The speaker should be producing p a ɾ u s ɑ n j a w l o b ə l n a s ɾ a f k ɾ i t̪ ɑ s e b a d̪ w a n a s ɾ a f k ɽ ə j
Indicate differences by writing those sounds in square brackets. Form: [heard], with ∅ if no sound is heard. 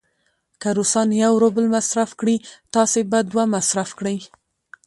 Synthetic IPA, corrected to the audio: [k] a ɾ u s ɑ n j a w [ɾ] o b ə l [m] a s ɾ a f k [ɽ] i t̪ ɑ s e b a d̪ w a [m] a s ɾ a f k ɽ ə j